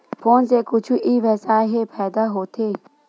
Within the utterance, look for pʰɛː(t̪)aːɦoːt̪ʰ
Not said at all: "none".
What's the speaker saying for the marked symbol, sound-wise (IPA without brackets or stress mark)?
d̪